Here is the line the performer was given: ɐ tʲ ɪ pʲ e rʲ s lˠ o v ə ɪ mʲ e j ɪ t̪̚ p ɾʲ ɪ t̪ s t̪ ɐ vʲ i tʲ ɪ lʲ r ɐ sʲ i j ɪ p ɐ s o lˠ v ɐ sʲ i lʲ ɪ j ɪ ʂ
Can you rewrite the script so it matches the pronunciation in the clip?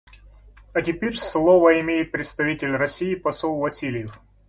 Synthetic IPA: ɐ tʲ ɪ pʲ e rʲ s lˠ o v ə ɪ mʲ e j ɪ t̪̚ p ɾʲ ɪ t̪ s t̪ ɐ vʲ i tʲ ɪ lʲ r ɐ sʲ i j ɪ p ɐ s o lˠ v ɐ sʲ i lʲ ɪ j ɪ f